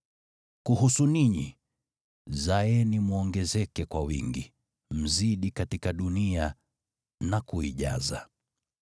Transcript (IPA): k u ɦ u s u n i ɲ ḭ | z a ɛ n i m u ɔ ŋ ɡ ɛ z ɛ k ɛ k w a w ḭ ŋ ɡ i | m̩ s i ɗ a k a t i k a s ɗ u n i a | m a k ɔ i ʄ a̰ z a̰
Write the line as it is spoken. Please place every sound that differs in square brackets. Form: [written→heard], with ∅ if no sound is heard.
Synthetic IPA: k u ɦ u s u n i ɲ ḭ | z a ɛ n i m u ɔ ŋ ɡ ɛ z ɛ k ɛ k w a w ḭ ŋ ɡ i | m̩ [s→z] i ɗ [a→i] k a t i k a [s→∅] ɗ u n i a | [m→n] a k [ɔ→u] i ʄ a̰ z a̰